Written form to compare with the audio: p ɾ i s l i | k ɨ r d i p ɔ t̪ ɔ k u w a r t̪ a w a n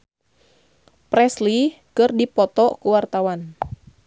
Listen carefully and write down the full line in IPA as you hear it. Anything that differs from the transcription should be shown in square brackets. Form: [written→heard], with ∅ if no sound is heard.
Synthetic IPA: p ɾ [i→ɛ] s l i | k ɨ r d i p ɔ t̪ ɔ k u w a r t̪ a w a n